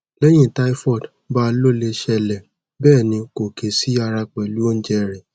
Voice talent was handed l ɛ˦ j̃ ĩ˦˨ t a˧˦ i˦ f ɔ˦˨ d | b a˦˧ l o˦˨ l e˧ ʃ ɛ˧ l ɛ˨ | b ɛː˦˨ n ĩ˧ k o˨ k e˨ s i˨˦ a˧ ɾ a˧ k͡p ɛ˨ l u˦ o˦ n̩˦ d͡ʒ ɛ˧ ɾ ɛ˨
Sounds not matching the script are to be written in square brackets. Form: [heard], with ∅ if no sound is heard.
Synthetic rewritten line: l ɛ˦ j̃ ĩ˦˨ t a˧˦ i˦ f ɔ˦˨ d | b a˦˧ l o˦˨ l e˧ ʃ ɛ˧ l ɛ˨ | b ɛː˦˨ n ĩ˧ k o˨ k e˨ s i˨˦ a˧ ɾ a˧ k͡p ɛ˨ l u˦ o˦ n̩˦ d͡ʒ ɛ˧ ɾ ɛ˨